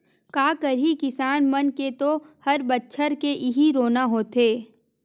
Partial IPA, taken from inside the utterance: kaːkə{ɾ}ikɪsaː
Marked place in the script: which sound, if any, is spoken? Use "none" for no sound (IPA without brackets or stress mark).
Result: ɾ